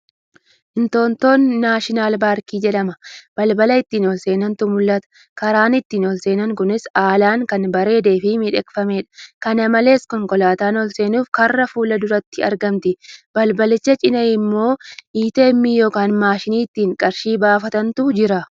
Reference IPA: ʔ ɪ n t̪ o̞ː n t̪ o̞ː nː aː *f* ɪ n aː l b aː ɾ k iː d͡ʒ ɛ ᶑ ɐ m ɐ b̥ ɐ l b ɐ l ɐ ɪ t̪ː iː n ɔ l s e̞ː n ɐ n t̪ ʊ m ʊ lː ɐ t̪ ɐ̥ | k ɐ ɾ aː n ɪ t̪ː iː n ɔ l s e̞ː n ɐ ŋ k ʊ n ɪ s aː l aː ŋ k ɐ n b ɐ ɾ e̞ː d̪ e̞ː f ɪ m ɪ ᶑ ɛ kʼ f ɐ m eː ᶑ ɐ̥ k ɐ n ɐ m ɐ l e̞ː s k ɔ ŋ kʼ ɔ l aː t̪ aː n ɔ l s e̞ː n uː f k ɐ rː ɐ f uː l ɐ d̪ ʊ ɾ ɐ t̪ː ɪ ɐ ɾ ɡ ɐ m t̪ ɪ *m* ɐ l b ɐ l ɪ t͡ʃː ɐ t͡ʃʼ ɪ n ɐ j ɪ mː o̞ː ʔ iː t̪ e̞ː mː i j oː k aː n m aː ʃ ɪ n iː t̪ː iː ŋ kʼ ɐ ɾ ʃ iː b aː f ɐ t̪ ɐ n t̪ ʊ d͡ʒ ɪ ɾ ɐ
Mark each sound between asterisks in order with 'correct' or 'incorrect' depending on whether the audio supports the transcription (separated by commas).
incorrect, incorrect